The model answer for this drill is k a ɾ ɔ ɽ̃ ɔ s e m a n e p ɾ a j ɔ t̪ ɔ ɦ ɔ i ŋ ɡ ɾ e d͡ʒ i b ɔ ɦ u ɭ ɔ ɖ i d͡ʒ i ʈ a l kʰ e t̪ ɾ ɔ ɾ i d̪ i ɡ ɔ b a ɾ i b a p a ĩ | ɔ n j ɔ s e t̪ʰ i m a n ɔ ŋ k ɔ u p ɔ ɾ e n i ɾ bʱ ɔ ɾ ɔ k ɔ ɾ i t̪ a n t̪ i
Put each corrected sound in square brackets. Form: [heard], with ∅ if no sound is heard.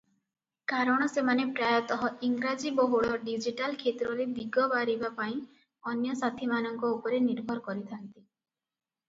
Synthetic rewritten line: k a ɾ ɔ ɽ̃ ɔ s e m a n e p ɾ a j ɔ t̪ ɔ ɦ ɔ i ŋ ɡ ɾ [a] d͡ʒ i b ɔ ɦ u ɭ ɔ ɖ i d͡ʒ i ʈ a l kʰ e t̪ ɾ ɔ ɾ [e] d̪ i ɡ ɔ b a ɾ i b a p a ĩ | ɔ n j ɔ s [a] t̪ʰ i m a n ɔ ŋ k ɔ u p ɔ ɾ e n i ɾ bʱ ɔ ɾ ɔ k ɔ ɾ i [t̪ʰ] a n t̪ i